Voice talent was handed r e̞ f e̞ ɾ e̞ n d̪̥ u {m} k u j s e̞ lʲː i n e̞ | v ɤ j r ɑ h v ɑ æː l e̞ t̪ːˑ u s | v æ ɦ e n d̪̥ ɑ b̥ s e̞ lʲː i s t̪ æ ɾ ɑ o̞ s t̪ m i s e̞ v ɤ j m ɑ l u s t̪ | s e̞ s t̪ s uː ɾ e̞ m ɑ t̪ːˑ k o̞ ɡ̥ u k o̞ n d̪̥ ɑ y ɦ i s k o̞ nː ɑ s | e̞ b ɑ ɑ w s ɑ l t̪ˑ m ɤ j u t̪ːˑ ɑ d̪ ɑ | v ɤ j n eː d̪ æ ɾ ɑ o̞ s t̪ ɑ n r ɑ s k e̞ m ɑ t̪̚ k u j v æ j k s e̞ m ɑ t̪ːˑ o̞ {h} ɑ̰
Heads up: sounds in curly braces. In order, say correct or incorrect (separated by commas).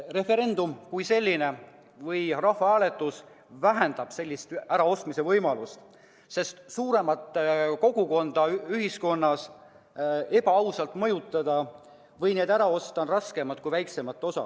correct, incorrect